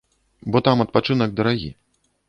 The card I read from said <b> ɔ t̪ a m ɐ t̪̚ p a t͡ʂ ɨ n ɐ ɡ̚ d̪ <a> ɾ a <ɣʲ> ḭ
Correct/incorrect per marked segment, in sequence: correct, incorrect, correct

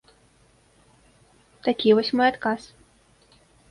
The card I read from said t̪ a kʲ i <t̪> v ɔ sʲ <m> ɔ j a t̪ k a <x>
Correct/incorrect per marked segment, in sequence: incorrect, correct, incorrect

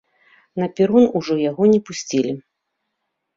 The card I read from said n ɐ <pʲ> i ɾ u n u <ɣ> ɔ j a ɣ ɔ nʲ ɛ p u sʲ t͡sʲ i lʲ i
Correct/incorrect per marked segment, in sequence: correct, incorrect

